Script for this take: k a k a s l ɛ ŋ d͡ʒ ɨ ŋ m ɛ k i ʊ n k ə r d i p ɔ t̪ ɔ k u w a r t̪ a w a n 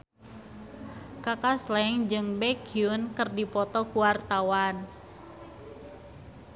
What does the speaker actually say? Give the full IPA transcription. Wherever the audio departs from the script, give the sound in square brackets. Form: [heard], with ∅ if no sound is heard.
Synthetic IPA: k a k a s l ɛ ŋ d͡ʒ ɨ ŋ [b] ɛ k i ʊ n k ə r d i p ɔ t̪ ɔ k u w a r t̪ a w a n